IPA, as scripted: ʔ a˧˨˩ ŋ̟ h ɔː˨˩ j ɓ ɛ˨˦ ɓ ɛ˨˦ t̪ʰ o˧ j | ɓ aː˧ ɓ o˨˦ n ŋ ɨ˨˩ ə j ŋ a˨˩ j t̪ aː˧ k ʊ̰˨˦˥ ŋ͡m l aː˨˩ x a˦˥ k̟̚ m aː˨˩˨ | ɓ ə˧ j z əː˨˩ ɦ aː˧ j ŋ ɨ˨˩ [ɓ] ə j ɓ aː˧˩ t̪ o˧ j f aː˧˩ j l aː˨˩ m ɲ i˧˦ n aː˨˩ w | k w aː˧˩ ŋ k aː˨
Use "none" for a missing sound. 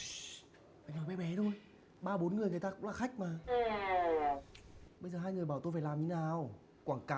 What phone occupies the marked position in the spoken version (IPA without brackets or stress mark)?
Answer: none